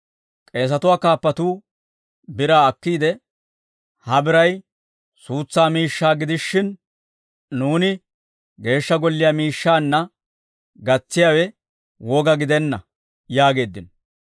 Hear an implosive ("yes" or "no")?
no